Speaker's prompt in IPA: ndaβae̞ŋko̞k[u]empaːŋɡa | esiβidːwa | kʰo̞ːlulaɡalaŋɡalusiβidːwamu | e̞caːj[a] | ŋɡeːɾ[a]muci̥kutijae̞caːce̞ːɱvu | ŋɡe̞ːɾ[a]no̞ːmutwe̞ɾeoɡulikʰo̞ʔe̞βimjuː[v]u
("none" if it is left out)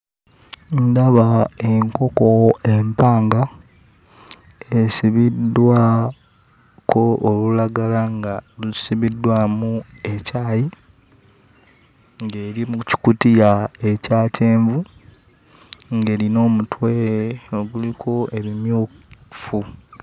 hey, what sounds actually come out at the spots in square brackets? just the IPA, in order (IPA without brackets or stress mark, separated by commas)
o, i, i, i, f